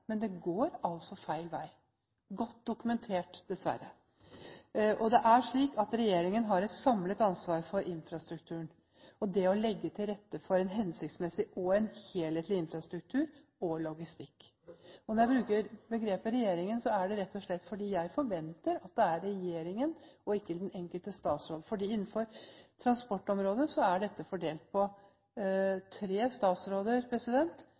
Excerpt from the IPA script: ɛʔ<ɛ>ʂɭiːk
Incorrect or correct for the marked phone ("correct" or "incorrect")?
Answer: incorrect